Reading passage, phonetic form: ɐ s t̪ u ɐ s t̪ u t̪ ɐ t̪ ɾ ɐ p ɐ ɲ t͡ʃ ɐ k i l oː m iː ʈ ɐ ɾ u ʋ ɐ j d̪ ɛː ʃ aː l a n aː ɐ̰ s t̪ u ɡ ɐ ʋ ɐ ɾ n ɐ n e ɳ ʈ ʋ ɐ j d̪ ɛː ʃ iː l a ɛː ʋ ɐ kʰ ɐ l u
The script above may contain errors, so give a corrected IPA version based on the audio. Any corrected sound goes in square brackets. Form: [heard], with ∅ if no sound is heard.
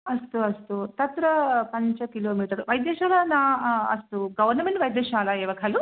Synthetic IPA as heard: ɐ s t̪ u ɐ s t̪ u t̪ ɐ t̪ ɾ ɐ p ɐ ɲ t͡ʃ ɐ k i l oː m iː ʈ ɐ ɾ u ʋ ɐ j d̪ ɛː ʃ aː l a n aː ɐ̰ s t̪ u ɡ ɐ ʋ ɐ ɾ n ɐ [m] e ɳ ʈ ʋ ɐ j d̪ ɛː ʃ [aː] l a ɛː ʋ ɐ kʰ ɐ l u